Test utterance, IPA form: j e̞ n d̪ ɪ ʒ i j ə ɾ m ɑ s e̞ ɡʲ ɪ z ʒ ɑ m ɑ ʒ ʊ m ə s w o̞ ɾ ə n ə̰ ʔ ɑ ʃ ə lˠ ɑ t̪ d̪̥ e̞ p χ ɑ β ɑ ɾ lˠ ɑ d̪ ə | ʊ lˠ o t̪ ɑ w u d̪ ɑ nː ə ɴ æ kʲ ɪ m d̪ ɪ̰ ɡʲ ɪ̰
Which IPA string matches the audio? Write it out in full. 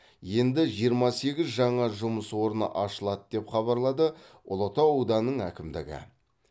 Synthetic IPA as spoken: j e̞ n d̪ ɪ ʒ i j ə ɾ m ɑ s e̞ ɡʲ ɪ z ʒ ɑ ɴ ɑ ʒ ʊ m ə s w o̞ ɾ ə n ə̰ ʔ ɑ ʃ ə lˠ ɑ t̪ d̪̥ e̞ p χ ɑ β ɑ ɾ lˠ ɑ d̪ ə | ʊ lˠ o t̪ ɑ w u d̪ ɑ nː ə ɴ æ kʲ ɪ m d̪ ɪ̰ ɡʲ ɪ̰